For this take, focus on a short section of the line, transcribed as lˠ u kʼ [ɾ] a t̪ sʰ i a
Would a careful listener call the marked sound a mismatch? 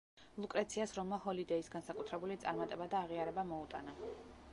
no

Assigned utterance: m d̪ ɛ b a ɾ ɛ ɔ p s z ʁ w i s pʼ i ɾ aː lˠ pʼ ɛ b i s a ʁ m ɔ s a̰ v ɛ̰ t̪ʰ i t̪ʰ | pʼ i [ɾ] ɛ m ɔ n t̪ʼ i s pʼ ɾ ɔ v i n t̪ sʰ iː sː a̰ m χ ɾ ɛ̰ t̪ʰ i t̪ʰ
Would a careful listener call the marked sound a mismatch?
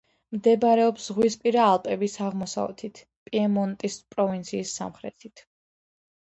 yes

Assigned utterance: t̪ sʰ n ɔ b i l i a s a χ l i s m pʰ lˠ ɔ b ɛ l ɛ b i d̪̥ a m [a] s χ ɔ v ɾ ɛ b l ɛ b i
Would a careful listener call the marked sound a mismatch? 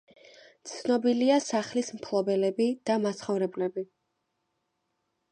no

